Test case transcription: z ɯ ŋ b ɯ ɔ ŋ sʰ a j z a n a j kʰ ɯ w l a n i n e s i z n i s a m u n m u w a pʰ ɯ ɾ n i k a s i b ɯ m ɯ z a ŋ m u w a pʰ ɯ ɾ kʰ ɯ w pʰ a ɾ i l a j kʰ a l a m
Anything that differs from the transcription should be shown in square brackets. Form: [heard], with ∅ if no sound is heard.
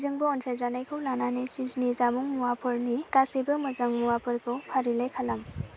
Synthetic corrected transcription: z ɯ ŋ b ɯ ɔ [n] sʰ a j z a n a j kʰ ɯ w l a n [a] n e s i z n i [z] a m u [ŋ] m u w a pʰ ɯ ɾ n i k a s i b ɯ m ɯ z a ŋ m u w a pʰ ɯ ɾ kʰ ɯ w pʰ a ɾ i l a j kʰ a l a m

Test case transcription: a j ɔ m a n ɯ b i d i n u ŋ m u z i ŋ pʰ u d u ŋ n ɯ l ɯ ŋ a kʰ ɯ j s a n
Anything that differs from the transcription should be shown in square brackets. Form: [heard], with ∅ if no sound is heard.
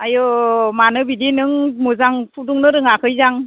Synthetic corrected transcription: a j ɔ m a n ɯ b i d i n [ɯ] ŋ m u z [a] ŋ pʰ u d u ŋ n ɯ [ɾ] ɯ ŋ a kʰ ɯ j [z] a [ŋ]

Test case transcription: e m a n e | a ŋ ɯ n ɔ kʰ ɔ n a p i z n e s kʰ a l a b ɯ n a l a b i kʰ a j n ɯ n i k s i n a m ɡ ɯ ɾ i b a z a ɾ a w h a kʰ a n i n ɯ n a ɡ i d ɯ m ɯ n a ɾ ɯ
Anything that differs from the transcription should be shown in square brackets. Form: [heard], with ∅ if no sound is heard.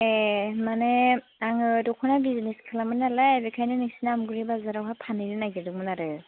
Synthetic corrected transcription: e m a n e | a ŋ ɯ [d] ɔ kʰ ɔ n a [b] i z n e s kʰ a l a [m] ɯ n a l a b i kʰ a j n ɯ n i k s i n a m ɡ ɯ ɾ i b a z a ɾ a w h a [pʰ] a n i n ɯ n a ɡ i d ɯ m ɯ n a ɾ ɯ

